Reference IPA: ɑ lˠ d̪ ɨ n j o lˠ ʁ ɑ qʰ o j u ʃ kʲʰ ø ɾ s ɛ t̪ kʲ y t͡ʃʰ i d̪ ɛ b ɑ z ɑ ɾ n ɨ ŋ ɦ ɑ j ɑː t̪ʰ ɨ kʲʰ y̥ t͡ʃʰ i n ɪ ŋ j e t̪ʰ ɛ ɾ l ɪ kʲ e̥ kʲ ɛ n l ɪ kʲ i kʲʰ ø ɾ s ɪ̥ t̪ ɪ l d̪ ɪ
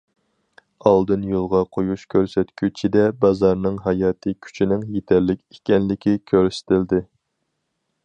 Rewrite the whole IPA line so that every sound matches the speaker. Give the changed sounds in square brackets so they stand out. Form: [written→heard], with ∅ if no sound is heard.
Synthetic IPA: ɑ lˠ d̪ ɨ n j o lˠ ʁ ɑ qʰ o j u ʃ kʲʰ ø ɾ s ɛ t̪ kʲ y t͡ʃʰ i d̪ ɛ b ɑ z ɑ ɾ n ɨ ŋ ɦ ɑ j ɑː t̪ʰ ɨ kʲʰ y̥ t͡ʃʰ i n ɪ ŋ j e t̪ʰ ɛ ɾ l ɪ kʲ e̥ kʲ ɛ n l ɪ kʲ i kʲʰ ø ɾ s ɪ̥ t̪ ɪ l d̪ ɪ